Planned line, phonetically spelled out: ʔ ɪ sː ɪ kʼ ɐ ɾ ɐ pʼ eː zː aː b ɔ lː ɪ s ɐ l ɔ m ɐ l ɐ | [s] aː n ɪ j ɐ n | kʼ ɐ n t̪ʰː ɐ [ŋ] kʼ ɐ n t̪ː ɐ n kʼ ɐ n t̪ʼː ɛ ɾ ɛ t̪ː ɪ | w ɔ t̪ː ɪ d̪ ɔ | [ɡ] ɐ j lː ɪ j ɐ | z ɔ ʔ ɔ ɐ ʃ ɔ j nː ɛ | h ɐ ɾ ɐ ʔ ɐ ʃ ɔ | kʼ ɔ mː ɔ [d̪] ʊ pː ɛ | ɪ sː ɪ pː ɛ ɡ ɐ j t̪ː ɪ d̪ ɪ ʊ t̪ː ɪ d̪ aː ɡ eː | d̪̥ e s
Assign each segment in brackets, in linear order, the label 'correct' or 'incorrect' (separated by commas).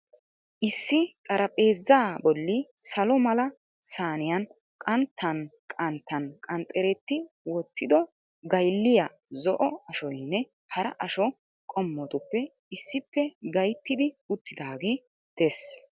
correct, incorrect, correct, incorrect